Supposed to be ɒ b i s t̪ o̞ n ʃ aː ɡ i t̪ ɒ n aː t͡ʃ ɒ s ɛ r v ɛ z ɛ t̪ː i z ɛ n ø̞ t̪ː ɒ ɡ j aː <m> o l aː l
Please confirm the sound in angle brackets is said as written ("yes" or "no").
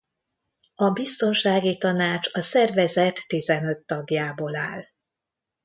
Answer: no